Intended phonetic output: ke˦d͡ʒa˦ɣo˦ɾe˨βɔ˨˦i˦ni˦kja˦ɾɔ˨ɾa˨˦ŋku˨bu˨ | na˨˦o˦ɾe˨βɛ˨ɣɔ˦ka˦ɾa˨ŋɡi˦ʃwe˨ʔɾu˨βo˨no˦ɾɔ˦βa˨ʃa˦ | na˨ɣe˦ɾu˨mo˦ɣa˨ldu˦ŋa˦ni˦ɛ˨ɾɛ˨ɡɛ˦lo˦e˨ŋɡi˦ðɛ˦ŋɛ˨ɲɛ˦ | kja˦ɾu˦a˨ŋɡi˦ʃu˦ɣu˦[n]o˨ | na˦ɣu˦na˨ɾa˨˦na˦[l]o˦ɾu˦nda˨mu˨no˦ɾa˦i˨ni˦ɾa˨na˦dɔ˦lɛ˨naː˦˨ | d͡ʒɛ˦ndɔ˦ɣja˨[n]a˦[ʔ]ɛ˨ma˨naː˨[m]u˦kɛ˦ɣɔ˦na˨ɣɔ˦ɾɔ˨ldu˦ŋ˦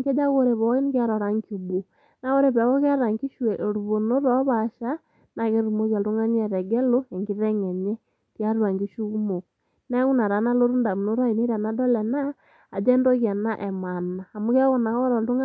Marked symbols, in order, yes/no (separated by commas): no, yes, yes, yes, yes